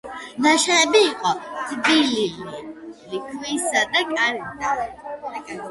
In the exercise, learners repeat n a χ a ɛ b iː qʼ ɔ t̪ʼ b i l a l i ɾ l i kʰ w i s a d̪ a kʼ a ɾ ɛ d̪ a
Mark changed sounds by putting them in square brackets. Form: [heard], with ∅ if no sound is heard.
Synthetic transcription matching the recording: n a [ʃ] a ɛ b iː qʼ ɔ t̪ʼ b i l [i] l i [∅] l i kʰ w i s a d̪ a kʼ a ɾ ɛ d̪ a